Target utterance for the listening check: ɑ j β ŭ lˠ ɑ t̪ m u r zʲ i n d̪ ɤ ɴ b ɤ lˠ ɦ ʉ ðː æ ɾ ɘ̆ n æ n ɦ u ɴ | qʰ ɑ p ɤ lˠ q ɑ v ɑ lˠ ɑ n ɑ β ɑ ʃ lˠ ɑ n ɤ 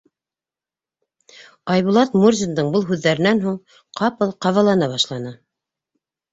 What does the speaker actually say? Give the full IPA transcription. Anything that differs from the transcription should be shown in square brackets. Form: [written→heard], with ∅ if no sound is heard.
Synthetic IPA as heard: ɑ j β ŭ lˠ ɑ t̪ m u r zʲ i n d̪ ɤ ɴ b ɤ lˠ ɦ ʉ ðː æ ɾ ɘ̆ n æ n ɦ u ɴ | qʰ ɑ p ɤ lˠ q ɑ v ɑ lˠ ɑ n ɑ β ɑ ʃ lˠ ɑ n ɤ